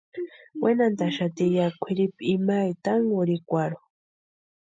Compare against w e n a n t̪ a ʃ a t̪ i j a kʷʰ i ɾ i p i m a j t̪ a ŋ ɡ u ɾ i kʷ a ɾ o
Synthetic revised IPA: w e n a n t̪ a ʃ a t̪ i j a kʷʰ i ɾ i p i m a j t̪ a ŋ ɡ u ɾ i kʷ a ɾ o